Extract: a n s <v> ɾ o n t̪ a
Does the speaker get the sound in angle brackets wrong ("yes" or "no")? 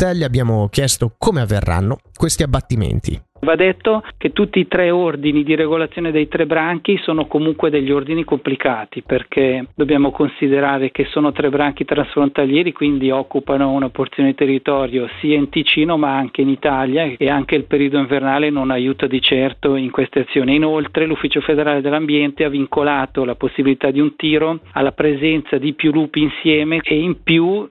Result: yes